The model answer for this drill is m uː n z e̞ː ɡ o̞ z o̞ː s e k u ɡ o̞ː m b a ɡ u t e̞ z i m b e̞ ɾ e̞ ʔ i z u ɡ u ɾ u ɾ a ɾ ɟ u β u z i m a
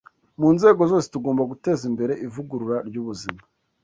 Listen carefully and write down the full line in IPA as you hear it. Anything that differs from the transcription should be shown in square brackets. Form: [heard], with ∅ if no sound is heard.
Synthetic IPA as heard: m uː n z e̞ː ɡ o̞ z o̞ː s e [t] u ɡ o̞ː m b a ɡ u t e̞ z i m b e̞ ɾ e̞ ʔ i [v] u ɡ u ɾ u ɾ a ɾ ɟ u β u z i m a